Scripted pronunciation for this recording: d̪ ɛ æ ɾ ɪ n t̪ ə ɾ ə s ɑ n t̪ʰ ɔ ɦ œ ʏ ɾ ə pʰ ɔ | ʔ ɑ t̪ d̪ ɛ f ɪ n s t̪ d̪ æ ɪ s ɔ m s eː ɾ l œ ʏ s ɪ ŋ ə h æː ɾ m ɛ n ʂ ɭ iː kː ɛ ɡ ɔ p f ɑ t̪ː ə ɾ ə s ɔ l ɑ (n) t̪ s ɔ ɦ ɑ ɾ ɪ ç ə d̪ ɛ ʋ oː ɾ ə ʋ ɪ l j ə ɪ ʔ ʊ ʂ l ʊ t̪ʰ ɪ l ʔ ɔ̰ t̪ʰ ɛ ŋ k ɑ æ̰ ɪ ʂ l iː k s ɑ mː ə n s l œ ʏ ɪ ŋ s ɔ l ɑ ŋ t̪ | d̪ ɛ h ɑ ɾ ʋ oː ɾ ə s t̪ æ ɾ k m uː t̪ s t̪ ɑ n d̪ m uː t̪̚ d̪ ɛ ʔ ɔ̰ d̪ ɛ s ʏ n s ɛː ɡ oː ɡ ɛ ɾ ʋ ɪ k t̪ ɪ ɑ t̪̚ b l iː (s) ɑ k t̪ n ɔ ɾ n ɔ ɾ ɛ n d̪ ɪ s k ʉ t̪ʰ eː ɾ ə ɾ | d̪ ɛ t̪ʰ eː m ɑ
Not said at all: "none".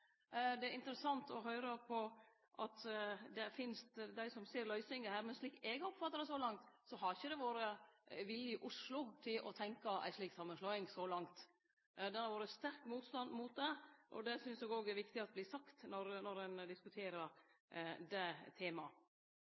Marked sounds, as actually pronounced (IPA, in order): ŋ, s

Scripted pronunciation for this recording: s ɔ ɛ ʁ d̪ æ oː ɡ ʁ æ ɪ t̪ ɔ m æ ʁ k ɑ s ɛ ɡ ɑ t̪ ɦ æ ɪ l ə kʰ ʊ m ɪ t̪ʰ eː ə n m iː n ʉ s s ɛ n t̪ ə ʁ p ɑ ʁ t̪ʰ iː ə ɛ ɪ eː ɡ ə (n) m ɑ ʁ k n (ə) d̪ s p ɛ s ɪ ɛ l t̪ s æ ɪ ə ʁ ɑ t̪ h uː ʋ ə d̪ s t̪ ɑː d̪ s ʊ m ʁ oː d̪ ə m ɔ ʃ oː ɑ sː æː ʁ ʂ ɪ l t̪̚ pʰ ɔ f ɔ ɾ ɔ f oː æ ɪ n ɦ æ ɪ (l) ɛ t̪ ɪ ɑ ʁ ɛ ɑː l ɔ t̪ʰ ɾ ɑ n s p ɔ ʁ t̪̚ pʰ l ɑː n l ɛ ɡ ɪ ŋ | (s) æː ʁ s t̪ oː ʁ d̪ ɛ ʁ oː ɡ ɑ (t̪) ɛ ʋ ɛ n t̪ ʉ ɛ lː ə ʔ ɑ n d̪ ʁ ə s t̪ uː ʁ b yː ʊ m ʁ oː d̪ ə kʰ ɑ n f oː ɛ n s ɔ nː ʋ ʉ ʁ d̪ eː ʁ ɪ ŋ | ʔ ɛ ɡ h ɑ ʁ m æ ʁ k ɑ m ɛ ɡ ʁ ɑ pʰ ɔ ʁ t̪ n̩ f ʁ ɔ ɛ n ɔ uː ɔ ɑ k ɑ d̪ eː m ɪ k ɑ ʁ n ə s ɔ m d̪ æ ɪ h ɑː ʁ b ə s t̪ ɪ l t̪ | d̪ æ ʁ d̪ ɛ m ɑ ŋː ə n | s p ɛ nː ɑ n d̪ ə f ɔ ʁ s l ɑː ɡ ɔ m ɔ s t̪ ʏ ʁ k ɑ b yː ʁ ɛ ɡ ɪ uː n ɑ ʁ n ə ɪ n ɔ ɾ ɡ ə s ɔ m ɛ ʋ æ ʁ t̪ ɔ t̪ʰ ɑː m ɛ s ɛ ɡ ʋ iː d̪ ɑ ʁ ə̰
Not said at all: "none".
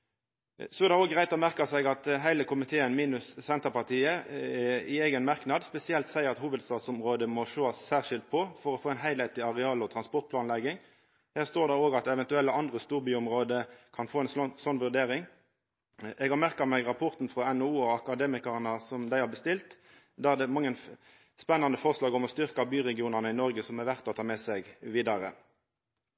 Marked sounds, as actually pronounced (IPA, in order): n, ɑ, l, h, t̪

